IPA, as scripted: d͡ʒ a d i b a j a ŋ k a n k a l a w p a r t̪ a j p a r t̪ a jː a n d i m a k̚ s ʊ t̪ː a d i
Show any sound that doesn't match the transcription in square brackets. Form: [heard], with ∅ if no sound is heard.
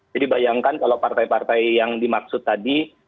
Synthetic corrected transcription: d͡ʒ a d i b a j a ŋ k a n k a l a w p a r t̪ a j p a r t̪ a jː a [ŋ] d i m a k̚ s ʊ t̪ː a d i